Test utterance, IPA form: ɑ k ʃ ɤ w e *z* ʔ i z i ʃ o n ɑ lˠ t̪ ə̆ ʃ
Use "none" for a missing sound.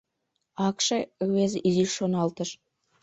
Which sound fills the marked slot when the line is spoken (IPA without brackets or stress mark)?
z